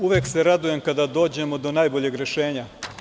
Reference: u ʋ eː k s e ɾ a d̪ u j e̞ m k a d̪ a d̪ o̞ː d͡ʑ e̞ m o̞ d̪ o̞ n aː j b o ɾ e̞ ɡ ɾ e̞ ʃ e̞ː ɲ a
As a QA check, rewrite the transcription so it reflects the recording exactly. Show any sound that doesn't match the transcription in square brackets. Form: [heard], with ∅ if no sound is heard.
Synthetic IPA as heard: u ʋ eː k s e ɾ a d̪ u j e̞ m k a d̪ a d̪ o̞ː d͡ʑ e̞ m o̞ d̪ o̞ n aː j b o [ʎ] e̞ ɡ ɾ e̞ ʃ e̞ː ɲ a